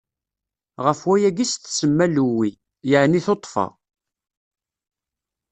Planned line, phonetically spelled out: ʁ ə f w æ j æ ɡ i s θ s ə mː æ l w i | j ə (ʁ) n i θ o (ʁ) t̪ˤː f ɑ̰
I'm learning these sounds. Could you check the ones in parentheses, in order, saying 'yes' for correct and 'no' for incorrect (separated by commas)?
no, no